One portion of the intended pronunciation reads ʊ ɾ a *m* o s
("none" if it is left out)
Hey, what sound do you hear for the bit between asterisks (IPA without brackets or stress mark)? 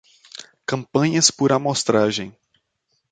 m